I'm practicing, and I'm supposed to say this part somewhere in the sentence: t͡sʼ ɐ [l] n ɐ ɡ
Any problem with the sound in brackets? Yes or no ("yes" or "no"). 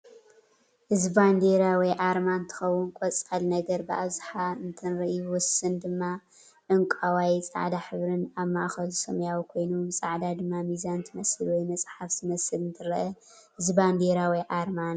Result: no